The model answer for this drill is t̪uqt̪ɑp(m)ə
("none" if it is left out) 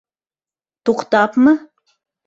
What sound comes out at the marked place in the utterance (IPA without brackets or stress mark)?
m